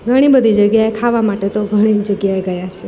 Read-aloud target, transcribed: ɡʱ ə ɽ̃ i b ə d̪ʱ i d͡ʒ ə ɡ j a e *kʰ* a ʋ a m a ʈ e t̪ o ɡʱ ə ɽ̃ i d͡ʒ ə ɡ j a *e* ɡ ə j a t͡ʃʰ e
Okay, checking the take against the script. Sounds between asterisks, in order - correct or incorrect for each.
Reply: correct, correct

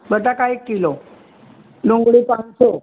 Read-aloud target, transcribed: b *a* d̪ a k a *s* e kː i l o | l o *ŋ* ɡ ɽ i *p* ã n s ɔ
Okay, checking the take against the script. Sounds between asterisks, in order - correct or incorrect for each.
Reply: incorrect: ə, incorrect: none, correct, correct

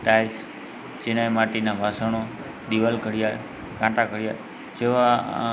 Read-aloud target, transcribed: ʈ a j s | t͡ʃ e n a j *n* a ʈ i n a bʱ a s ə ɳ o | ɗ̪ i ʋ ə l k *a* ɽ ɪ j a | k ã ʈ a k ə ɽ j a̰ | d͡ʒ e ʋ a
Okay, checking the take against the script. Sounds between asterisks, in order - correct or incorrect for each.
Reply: incorrect: m, incorrect: ə

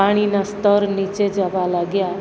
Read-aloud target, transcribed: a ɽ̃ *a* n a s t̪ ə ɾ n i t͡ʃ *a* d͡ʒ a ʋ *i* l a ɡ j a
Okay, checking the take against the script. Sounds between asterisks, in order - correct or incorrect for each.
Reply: incorrect: i, incorrect: e, incorrect: a

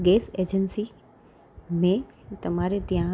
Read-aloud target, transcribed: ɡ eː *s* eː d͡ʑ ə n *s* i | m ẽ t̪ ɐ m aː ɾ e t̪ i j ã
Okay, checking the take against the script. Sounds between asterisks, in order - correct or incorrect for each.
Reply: correct, correct

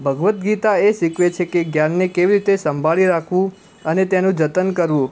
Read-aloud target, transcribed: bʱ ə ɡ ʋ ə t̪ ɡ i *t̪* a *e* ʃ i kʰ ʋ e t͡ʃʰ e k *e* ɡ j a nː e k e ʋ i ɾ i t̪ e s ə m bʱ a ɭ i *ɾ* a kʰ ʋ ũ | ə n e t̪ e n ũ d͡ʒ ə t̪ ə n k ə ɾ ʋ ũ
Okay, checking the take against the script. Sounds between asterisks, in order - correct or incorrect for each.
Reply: correct, correct, correct, correct

